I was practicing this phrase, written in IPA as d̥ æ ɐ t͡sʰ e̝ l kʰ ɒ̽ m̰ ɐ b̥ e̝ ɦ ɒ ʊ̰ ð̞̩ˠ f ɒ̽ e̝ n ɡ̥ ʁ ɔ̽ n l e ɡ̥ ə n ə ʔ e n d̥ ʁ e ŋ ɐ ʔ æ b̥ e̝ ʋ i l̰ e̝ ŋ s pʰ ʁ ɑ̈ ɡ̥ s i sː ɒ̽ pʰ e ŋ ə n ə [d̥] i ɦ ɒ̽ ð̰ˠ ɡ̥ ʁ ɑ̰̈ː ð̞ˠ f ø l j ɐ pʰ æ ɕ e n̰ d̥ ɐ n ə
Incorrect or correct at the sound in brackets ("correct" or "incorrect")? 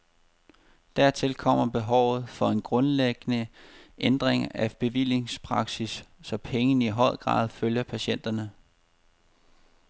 incorrect